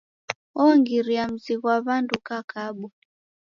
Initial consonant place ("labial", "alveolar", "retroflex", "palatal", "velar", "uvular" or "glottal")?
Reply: velar